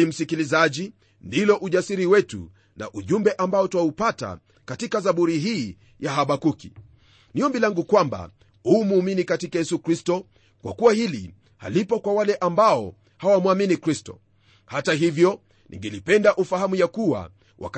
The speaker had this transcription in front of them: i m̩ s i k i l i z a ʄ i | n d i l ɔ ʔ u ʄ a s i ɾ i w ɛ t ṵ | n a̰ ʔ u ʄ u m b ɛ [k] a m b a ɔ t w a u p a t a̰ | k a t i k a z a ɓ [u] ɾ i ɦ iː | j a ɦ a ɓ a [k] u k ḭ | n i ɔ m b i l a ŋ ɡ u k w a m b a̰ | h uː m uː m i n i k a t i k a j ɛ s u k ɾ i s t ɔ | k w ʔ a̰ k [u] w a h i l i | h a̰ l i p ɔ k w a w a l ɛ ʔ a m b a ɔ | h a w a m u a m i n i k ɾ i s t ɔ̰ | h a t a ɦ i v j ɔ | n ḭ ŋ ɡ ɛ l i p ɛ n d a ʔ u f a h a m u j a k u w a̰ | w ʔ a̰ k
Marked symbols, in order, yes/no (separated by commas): no, yes, yes, yes